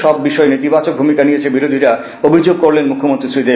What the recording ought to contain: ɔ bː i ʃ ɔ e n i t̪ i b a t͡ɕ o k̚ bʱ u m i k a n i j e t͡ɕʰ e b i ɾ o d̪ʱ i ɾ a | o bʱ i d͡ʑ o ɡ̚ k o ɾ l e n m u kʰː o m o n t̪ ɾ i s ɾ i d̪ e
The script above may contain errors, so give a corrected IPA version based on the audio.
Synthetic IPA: ɔ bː i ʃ ɔ e n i t̪ i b a t͡ɕ o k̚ bʱ u m i k a n i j e t͡ɕʰ e b i ɾ o d̪ʱ i ɾ a | o bʱ i d͡ʑ o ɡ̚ k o ɾ l e n m u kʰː o m o n t̪ ɾ i s ɾ i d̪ e